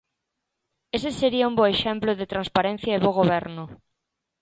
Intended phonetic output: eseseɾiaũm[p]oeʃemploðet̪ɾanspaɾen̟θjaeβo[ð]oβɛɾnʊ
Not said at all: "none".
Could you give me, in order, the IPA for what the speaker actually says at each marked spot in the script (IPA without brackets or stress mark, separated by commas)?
b, ɣ